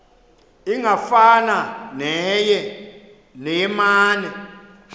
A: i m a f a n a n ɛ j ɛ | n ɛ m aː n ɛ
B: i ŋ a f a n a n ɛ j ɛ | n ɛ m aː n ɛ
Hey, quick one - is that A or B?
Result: B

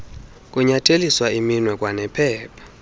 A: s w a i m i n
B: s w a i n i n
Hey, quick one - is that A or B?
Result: A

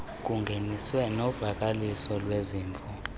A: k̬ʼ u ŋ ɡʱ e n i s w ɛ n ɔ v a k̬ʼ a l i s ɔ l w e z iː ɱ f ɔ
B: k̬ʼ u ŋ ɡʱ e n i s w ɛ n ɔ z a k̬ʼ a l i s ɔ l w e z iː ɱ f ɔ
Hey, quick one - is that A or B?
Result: A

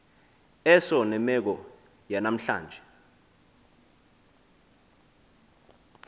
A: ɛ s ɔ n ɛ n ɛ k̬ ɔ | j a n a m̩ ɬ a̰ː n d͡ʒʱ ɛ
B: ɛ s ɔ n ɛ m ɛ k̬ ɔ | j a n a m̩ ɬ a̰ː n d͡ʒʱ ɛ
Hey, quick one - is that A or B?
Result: B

